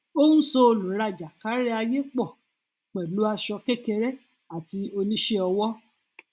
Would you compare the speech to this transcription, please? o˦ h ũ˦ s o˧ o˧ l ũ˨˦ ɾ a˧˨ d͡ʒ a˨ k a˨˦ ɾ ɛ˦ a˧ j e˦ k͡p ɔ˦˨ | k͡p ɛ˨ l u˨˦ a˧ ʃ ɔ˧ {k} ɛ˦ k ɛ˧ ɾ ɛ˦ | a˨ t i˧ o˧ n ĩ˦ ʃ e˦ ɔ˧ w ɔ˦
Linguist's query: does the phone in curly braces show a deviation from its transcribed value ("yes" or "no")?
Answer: no